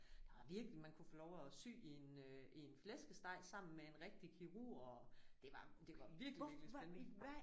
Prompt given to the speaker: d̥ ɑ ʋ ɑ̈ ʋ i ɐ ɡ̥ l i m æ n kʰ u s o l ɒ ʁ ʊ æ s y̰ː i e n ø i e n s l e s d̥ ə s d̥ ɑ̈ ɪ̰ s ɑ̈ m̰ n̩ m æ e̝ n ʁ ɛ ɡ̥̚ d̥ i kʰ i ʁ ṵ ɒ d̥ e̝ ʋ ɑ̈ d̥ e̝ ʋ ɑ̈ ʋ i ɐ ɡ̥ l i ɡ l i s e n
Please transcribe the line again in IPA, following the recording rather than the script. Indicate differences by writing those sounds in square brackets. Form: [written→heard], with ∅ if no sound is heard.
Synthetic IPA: d̥ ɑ ʋ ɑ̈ ʋ i ɐ ɡ̥ l i m æ n kʰ u [s→f] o l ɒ [ʁ→∅] ʊ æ s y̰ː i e n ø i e n [s→f] l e s [d̥→ɡ̥] ə s d̥ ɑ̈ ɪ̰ s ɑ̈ m̰ n̩ m [æ→e] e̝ n ʁ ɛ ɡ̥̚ d̥ i kʰ i ʁ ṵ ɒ d̥ e̝ ʋ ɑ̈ d̥ e̝ ʋ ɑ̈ ʋ i ɐ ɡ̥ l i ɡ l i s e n